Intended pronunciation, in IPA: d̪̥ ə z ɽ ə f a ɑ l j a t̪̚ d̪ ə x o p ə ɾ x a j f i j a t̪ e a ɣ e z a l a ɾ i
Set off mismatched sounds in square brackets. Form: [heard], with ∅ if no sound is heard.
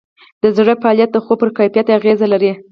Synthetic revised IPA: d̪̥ ə z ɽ ə f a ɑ l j a t̪̚ d̪ ə x o p ə ɾ [k] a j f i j a t̪ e a ɣ e z a l a ɾ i